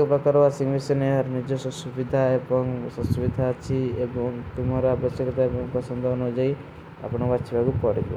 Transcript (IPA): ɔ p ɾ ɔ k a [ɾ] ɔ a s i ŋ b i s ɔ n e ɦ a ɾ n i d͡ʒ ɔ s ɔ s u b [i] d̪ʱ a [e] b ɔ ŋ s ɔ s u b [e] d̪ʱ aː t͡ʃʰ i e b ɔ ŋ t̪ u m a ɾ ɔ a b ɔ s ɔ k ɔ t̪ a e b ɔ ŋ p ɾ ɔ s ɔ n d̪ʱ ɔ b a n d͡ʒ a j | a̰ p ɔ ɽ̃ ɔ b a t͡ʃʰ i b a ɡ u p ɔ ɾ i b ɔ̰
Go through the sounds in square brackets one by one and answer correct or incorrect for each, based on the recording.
correct, correct, correct, incorrect: i

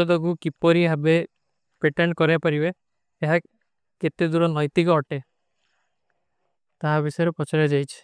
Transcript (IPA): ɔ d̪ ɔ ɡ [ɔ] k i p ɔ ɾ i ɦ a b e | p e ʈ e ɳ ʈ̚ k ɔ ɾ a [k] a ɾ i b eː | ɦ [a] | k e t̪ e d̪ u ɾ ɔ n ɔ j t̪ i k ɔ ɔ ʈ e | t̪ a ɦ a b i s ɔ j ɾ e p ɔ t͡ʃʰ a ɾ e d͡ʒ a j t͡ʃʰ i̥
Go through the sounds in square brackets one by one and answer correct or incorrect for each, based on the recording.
incorrect: u, incorrect: p, correct

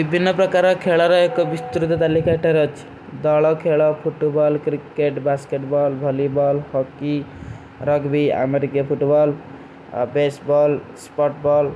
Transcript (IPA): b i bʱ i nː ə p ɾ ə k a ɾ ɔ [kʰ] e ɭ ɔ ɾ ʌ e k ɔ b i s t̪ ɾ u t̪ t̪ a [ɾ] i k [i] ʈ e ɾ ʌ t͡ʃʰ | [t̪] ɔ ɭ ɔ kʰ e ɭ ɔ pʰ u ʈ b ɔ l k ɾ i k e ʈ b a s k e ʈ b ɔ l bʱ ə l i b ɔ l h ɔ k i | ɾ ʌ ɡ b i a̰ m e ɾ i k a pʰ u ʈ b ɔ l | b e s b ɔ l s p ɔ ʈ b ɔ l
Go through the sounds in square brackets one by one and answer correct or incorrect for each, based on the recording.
correct, incorrect: l, incorrect: a, incorrect: d̪

